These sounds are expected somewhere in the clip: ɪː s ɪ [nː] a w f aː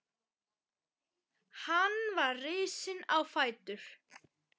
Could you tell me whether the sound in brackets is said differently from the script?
yes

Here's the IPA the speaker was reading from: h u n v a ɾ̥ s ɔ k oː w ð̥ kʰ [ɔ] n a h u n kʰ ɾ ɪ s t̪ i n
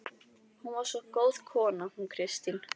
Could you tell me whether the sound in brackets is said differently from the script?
yes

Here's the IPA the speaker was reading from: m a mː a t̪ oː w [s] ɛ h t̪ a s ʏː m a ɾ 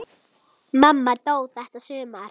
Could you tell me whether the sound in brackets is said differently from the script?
yes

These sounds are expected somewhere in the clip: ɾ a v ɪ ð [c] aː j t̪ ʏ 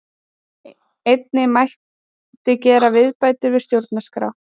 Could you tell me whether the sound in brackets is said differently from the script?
yes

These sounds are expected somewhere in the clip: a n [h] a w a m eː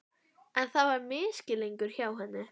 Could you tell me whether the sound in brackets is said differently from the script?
yes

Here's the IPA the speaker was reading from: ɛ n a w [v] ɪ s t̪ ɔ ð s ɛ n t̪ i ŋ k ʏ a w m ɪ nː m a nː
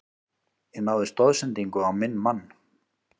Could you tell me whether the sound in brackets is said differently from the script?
yes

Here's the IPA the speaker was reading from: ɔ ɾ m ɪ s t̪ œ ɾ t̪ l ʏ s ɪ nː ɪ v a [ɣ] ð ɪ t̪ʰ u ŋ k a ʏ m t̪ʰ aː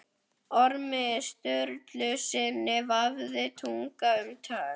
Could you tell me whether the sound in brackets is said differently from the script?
yes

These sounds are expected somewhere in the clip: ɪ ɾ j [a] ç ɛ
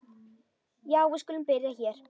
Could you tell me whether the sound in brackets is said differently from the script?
no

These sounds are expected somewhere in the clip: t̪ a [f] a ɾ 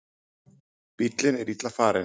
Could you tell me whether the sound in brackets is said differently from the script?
no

